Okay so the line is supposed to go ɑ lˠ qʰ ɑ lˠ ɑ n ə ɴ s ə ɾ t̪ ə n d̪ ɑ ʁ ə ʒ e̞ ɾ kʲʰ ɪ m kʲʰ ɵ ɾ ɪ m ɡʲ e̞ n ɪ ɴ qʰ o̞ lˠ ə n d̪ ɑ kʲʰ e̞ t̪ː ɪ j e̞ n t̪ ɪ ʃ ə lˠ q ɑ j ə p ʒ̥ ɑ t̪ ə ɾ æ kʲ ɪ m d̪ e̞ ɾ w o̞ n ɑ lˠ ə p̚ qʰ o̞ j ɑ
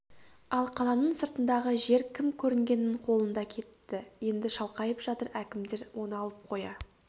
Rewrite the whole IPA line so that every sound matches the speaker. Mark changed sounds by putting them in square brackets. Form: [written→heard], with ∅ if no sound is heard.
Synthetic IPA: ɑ lˠ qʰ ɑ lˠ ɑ n ə ɴ s ə ɾ t̪ ə n d̪ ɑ ʁ ə ʒ e̞ ɾ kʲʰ ɪ m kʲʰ ɵ ɾ ɪ [m→ŋ] ɡʲ e̞ n ɪ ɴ qʰ o̞ lˠ ə n d̪ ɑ kʲʰ e̞ t̪ː ɪ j e̞ n [t̪→d̪] ɪ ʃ [ə→ɑ] lˠ q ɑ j ə p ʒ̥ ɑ t̪ ə ɾ æ kʲ ɪ m d̪ e̞ ɾ w o̞ n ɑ lˠ ə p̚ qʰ o̞ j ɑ